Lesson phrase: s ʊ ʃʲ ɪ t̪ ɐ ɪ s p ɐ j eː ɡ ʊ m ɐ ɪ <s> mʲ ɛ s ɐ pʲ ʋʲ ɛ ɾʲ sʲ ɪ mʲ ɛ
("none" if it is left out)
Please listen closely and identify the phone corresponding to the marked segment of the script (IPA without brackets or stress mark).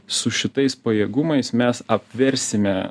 s